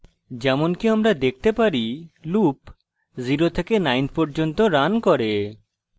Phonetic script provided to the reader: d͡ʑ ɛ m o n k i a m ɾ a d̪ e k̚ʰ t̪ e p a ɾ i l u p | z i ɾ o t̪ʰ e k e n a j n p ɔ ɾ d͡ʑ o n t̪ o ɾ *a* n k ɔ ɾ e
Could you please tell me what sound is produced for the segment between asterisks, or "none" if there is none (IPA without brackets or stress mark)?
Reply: a